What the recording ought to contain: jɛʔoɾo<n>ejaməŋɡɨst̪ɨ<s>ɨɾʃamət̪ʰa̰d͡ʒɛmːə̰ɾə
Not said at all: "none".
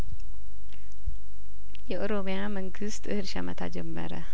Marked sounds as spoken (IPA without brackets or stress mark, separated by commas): m, h